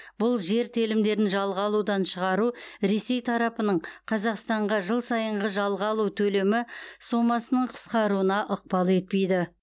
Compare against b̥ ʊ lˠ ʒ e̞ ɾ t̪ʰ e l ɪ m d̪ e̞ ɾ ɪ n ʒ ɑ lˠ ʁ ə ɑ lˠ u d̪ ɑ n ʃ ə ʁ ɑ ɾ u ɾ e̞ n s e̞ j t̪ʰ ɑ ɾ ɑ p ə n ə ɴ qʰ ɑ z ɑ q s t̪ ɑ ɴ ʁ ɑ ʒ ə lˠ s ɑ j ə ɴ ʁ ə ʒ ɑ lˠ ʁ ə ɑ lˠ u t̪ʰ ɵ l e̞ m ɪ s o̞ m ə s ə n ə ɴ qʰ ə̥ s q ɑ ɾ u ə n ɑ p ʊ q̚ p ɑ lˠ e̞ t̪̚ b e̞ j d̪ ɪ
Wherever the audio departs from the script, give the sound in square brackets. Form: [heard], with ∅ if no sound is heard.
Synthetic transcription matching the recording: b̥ ʊ lˠ ʒ e̞ ɾ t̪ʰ e l ɪ m d̪ e̞ ɾ ɪ n ʒ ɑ lˠ ʁ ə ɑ lˠ u d̪ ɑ n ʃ ə ʁ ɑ ɾ u ɾ e̞ [∅] s e̞ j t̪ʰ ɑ ɾ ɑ p ə n ə ɴ qʰ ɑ z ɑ q s t̪ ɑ ɴ ʁ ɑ ʒ ə lˠ s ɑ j ə ɴ ʁ ə ʒ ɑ lˠ ʁ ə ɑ lˠ u t̪ʰ ɵ l e̞ m ɪ s o̞ m [ɑ] s ə n ə ɴ qʰ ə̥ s q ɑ ɾ u ə n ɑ [ʔ] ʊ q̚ p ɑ lˠ e̞ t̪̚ [p] e̞ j d̪ ɪ